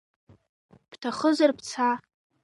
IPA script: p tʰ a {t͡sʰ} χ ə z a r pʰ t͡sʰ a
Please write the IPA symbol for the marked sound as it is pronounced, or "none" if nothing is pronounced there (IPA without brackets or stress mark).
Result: none